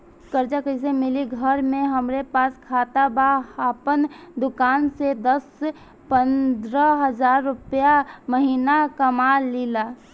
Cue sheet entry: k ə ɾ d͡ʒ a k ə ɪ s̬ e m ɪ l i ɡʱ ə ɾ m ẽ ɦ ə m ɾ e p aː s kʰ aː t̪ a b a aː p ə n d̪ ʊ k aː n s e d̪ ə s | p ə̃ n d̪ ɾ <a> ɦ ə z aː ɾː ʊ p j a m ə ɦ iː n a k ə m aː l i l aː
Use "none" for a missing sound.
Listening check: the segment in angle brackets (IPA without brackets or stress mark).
ə